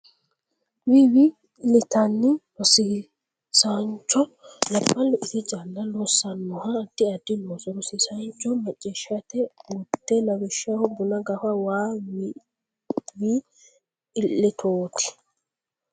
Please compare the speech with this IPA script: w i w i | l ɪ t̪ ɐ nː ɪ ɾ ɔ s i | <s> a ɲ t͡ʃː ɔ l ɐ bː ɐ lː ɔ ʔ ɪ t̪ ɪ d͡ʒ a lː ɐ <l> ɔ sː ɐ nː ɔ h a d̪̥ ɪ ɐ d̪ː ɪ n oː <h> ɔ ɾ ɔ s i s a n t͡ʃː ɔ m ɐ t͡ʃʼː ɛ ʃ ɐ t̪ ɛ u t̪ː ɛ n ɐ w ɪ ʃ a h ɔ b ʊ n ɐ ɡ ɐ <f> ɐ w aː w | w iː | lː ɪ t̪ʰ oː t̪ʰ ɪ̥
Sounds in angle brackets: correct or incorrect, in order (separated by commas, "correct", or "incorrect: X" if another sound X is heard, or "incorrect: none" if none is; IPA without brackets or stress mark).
correct, correct, incorrect: s, correct